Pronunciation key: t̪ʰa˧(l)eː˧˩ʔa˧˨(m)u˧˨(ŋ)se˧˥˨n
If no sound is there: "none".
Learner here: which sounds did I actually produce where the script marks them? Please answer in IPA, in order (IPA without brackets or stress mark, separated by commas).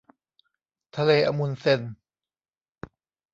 l, m, n